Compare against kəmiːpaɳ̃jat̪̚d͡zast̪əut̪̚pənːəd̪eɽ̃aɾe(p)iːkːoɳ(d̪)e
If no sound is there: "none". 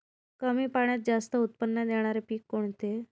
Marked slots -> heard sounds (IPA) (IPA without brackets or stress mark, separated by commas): p, t̪